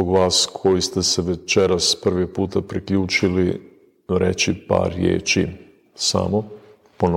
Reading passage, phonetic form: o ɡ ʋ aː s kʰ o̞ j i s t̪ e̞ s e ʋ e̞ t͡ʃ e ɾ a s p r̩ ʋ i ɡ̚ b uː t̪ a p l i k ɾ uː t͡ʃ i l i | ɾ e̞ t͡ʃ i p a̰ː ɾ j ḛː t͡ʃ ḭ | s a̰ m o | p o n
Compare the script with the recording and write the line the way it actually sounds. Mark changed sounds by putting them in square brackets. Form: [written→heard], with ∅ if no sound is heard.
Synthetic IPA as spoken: o ɡ ʋ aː s kʰ o̞ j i s t̪ e̞ s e ʋ e̞ t͡ʃ e ɾ a s p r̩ ʋ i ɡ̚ [b→p] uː t̪ a p [l→ɾ] i k [ɾ→ʎ] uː t͡ʃ i l i | ɾ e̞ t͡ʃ i p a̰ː ɾ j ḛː t͡ʃ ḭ | s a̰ m o | p o n